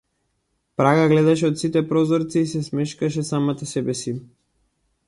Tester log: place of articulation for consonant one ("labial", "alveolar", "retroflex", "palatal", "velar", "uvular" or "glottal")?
labial